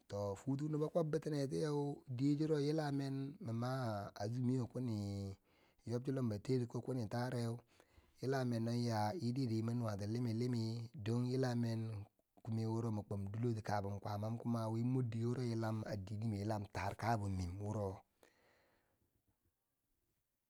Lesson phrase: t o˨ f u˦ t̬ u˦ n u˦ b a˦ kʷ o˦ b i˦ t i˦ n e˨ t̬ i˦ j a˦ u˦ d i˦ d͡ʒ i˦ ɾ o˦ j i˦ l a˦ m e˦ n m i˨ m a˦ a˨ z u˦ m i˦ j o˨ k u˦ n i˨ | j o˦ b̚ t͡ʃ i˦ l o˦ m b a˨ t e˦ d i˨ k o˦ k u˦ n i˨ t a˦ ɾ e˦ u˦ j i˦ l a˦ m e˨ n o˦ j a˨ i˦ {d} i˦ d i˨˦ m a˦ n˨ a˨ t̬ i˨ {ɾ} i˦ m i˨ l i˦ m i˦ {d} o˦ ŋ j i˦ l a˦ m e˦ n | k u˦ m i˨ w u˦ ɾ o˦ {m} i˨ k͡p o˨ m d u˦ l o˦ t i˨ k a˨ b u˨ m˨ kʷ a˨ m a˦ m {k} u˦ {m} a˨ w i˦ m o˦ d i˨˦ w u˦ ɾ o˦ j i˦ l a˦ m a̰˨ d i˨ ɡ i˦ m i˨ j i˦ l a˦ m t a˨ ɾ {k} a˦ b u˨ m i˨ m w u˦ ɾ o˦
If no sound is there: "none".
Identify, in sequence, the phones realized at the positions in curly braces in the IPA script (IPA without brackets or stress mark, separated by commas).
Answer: d, l, d, m, k, m, k